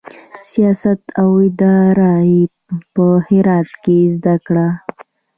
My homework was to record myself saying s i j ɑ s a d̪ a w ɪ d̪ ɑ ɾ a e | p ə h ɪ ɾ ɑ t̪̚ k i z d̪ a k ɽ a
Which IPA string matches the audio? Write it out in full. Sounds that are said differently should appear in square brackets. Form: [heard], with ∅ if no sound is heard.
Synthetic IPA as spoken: s i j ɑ s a [t̪] a w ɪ d̪ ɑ ɾ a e | p ə h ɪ ɾ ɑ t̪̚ k [e] z d̪ a k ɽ a